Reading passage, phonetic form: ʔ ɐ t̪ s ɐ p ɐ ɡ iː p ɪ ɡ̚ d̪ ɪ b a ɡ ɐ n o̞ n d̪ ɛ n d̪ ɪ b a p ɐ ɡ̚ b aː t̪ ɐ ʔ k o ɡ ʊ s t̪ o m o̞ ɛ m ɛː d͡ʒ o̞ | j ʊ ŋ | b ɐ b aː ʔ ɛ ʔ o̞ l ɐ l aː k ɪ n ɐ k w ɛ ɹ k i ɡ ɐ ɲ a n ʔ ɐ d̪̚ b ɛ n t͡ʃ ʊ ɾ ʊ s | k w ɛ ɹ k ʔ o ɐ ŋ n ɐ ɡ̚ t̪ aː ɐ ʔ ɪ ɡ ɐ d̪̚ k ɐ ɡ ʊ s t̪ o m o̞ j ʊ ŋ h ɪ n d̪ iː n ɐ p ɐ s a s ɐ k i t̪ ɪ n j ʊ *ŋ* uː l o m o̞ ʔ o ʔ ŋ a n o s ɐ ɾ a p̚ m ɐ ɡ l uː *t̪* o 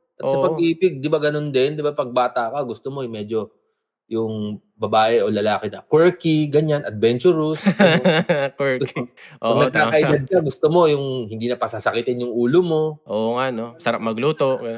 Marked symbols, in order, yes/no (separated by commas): yes, yes